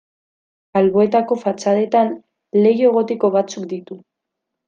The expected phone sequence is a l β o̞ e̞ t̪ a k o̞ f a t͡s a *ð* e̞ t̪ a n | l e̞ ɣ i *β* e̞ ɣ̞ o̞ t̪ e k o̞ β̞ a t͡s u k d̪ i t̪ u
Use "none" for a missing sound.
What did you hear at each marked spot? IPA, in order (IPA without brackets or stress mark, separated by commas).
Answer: ð, none